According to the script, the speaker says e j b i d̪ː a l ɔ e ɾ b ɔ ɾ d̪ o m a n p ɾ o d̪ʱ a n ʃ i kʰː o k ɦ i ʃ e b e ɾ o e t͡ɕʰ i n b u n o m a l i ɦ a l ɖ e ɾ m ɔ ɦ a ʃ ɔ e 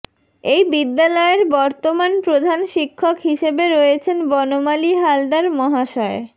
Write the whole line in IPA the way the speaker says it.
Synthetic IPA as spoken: e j b i d̪ː a l ɔ e ɾ b ɔ ɾ t̪ o m a n p ɾ o d̪ʱ a n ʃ i kʰː o k ɦ i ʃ e b e ɾ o e t͡ɕʰ e n b ɔ n o m a l i ɦ a l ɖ a ɾ m ɔ ɦ a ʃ ɔ e